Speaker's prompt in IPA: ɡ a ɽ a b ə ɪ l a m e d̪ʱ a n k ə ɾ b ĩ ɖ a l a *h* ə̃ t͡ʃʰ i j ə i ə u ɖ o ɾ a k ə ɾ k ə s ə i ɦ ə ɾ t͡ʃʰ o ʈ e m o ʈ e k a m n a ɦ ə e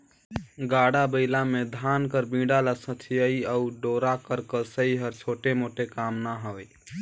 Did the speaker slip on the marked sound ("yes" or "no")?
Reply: yes